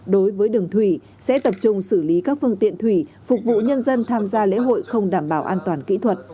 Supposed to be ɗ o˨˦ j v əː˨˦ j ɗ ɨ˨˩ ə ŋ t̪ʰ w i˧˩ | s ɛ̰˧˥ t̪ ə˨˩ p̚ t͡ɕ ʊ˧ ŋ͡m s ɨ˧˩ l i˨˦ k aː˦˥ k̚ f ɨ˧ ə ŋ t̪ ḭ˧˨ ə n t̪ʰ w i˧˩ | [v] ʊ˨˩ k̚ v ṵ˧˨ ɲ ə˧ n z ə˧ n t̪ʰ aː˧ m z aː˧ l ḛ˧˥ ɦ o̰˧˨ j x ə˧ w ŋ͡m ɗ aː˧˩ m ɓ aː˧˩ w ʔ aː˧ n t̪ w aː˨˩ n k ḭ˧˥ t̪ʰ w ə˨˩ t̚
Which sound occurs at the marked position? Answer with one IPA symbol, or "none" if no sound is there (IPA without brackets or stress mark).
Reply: f